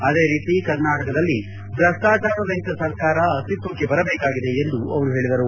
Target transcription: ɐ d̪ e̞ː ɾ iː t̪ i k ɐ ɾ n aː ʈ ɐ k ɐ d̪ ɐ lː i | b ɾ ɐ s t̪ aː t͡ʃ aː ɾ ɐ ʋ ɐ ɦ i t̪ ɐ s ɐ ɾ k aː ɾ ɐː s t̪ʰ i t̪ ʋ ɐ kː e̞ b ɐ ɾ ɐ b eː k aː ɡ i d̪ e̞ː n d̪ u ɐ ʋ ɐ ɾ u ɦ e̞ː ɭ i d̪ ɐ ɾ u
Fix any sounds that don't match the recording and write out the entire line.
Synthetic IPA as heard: ɐ d̪ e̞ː ɾ iː t̪ i k ɐ ɾ n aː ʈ ɐ k ɐ d̪ ɐ lː i | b ɾ ɐ s t̪ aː t͡ʃ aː ɾ ɐ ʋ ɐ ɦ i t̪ ɐ s ɐ ɾ k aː ɾ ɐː s t̪ i t̪ ʋ ɐ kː e̞ b ɐ ɾ ɐ b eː k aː ɡ i d̪ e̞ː n d̪ u ɐ ʋ ɐ ɾ u ɦ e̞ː ɭ i d̪ ɐ ɾ u